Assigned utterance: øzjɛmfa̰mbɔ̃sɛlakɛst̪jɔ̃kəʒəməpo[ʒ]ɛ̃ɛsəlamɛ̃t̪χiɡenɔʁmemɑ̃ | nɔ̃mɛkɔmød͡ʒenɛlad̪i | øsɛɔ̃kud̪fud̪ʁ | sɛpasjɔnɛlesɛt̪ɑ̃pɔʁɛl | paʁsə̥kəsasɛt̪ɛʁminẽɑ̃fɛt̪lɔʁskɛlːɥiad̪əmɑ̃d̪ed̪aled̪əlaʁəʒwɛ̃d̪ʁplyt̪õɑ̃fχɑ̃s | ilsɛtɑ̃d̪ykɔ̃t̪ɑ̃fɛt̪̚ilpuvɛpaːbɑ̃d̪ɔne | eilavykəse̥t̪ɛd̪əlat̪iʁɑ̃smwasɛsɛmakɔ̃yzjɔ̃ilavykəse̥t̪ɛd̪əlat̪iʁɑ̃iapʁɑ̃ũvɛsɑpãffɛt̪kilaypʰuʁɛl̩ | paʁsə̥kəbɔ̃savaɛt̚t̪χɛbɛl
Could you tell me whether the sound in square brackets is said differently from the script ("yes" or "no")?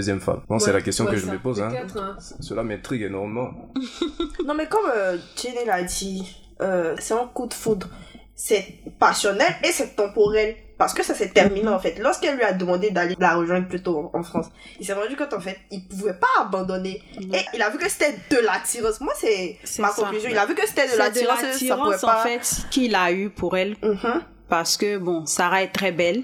yes